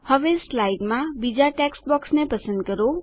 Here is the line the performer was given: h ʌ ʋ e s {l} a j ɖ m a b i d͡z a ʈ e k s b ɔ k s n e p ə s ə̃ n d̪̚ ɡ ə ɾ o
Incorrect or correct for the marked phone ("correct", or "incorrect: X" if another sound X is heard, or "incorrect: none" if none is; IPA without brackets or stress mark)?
correct